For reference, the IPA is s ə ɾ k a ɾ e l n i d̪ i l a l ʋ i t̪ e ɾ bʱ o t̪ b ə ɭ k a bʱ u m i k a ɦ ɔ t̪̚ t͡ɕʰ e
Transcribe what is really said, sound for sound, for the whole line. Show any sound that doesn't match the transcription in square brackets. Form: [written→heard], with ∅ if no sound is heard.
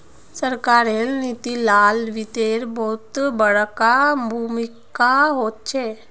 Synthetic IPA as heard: s ə ɾ k a ɾ e l n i [d̪→t̪] i l a l ʋ i t̪ e ɾ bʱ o t̪ b ə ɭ k a bʱ u m i k a ɦ [ɔ→o] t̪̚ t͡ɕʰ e